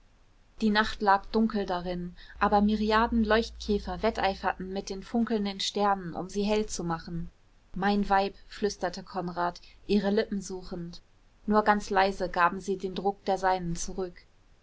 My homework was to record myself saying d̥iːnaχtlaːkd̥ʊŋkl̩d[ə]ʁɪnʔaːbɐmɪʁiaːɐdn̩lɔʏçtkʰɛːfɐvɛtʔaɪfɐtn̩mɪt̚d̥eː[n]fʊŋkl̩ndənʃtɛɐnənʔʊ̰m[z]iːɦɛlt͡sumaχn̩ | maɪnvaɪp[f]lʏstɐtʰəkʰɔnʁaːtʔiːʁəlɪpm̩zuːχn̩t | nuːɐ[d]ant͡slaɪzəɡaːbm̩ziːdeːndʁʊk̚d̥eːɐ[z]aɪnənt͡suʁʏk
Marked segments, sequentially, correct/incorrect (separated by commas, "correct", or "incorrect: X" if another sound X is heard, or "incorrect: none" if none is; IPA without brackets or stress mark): incorrect: a, correct, correct, correct, incorrect: ɡ, correct